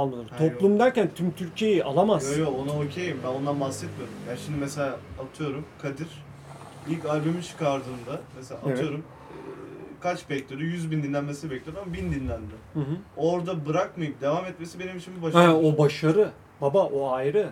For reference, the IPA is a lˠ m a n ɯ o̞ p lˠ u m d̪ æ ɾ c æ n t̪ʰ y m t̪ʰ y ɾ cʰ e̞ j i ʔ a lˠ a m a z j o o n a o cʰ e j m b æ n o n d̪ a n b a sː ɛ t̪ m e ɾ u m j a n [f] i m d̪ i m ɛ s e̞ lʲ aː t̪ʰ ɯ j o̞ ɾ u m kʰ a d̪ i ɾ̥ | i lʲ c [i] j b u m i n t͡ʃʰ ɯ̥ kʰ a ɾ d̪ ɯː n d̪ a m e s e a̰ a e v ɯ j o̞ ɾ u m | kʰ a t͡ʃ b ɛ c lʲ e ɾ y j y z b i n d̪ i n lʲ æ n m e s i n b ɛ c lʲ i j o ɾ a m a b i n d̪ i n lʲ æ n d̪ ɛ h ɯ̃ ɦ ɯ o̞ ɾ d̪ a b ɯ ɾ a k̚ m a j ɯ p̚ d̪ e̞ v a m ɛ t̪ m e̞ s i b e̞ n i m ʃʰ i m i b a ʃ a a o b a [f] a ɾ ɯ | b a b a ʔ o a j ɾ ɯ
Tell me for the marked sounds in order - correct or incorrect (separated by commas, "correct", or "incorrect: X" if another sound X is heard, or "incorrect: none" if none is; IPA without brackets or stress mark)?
incorrect: ʃ, incorrect: a, incorrect: ʃ